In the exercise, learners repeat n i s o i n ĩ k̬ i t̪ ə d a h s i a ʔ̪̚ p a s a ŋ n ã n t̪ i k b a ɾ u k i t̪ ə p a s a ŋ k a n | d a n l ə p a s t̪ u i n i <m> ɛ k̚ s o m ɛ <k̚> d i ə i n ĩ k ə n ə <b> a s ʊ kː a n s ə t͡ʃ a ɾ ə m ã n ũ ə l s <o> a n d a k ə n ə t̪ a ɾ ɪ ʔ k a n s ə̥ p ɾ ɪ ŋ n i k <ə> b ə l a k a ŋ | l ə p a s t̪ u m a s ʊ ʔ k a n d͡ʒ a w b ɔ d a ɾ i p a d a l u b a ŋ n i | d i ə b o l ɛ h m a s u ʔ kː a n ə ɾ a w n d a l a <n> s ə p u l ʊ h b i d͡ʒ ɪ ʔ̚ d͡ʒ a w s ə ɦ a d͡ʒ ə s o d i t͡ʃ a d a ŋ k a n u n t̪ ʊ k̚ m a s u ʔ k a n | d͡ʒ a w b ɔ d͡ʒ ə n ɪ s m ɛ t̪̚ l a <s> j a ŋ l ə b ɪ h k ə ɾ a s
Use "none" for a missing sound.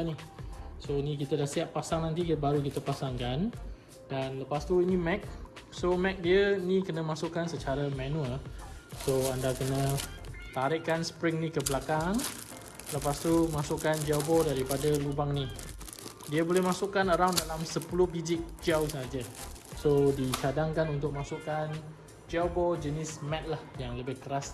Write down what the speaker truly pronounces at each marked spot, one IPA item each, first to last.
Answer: m, k̚, m, o, ə, m, h

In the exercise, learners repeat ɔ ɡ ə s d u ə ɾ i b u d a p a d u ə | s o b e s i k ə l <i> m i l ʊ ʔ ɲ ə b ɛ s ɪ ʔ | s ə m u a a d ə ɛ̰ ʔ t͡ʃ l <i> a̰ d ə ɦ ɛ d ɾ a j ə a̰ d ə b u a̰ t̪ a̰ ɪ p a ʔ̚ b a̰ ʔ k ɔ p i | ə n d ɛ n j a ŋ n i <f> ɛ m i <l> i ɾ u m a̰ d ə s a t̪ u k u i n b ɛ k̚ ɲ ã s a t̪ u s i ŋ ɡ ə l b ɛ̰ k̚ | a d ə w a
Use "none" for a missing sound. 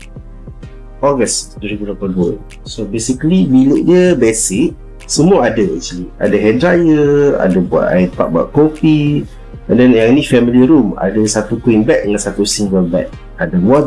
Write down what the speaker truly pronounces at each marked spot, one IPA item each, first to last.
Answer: i, i, f, l

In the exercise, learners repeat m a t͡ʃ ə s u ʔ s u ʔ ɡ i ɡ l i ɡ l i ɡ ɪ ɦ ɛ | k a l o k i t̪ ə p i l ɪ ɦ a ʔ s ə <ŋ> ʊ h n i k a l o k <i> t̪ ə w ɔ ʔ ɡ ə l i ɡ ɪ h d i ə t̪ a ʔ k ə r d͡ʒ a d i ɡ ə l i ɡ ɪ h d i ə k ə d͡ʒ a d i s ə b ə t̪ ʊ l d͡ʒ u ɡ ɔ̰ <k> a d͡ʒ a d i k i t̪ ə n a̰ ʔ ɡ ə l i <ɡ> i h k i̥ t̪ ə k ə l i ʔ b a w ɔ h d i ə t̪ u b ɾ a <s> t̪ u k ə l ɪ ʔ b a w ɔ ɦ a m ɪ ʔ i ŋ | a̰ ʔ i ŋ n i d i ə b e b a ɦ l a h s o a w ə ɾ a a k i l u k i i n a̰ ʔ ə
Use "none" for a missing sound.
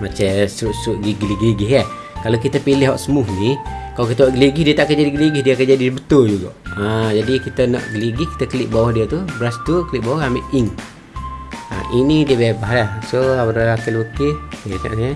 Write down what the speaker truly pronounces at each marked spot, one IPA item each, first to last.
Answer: m, i, ʔ, ɡ, s

